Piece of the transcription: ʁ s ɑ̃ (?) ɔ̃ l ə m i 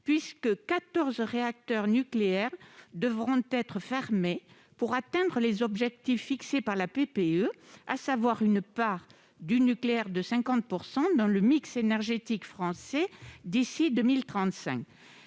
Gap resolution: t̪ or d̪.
d̪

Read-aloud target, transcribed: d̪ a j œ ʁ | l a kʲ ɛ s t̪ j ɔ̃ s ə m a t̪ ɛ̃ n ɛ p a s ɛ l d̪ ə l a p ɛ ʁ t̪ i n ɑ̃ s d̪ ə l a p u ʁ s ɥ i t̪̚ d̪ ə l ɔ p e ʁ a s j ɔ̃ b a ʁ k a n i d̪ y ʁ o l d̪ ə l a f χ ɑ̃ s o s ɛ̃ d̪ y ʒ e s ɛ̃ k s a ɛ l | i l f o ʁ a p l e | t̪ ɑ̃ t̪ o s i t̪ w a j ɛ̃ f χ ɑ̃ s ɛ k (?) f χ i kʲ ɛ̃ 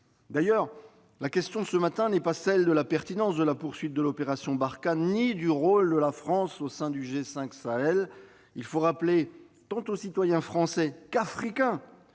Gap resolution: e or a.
a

